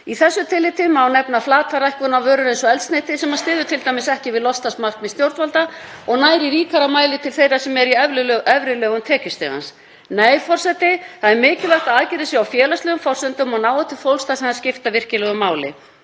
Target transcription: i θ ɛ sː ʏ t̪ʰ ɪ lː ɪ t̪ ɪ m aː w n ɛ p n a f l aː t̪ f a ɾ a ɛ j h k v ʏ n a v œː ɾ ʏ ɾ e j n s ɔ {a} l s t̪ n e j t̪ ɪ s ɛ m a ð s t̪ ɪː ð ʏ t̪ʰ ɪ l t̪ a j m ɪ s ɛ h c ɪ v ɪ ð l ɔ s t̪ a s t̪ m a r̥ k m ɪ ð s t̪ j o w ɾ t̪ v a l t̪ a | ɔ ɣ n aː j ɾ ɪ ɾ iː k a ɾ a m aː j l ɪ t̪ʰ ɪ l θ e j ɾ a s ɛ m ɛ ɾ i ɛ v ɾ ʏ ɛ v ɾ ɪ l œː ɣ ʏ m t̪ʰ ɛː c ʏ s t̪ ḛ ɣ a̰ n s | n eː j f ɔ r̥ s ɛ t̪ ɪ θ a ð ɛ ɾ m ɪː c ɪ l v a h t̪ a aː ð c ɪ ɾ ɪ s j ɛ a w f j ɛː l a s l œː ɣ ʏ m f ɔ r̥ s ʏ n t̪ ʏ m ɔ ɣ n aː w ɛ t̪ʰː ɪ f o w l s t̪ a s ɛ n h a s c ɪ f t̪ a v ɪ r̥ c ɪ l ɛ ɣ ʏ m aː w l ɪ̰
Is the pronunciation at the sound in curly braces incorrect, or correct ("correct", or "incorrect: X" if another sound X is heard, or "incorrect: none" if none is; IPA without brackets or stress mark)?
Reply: incorrect: ɛ